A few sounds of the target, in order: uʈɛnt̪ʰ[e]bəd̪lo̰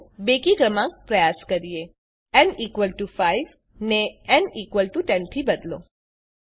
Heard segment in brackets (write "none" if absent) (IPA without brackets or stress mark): i